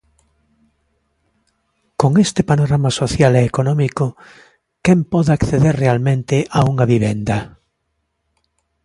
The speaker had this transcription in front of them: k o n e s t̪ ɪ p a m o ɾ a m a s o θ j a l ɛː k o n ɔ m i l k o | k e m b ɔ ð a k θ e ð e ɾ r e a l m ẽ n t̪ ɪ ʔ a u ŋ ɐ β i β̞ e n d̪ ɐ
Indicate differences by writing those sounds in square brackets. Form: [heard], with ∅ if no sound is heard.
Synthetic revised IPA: k o [ŋ] e s t̪ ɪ p a [n] o ɾ a m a s o θ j a l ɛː k o n ɔ m i [∅] k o | k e m [p] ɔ ð a k θ e ð e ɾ r e a l m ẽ n t̪ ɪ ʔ a u ŋ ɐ β i β̞ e n d̪ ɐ